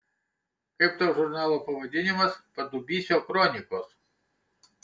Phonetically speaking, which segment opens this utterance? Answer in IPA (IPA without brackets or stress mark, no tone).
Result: k